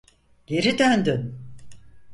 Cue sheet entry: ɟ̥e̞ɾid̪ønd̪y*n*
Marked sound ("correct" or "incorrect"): correct